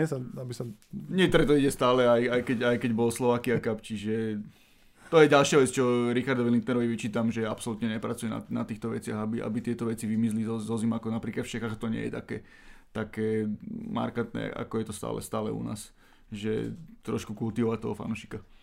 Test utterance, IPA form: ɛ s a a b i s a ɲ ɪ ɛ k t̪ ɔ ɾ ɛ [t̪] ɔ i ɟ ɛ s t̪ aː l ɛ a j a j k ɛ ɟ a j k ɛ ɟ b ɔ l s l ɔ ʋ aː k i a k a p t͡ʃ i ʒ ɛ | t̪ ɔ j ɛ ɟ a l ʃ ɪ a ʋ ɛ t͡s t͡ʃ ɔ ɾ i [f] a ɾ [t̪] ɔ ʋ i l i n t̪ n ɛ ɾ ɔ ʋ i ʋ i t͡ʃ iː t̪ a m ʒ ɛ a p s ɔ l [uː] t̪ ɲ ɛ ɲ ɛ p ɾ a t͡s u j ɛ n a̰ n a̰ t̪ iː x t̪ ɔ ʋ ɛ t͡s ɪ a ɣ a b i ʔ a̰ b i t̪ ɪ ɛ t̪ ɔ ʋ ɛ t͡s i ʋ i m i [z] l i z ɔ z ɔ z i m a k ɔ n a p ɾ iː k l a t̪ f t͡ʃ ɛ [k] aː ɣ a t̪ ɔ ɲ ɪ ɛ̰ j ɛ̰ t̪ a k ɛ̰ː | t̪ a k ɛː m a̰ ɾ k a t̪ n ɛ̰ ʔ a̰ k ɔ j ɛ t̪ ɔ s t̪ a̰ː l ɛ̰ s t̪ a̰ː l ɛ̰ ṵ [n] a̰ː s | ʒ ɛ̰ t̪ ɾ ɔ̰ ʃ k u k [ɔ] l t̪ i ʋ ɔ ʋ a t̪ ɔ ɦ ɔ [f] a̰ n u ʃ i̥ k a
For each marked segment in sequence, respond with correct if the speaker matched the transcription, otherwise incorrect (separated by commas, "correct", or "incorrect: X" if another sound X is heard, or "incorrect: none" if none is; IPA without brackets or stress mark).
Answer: correct, incorrect: x, incorrect: d̪, incorrect: u, correct, incorrect: x, correct, incorrect: u, correct